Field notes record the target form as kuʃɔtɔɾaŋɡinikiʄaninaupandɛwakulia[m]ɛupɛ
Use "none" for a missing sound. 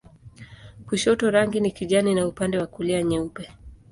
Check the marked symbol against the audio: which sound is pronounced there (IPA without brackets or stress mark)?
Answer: ɲ